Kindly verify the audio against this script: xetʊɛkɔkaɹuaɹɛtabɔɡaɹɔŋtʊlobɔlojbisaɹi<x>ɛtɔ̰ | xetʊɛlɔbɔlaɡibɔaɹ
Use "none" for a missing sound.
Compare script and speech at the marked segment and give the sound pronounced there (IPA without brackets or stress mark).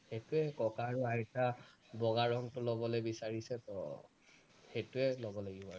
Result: s